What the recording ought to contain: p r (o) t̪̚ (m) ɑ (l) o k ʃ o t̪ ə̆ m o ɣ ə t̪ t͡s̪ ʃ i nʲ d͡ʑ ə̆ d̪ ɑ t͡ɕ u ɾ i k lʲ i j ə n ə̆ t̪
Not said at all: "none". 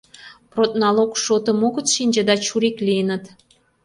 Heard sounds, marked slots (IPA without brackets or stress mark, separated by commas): o, n, l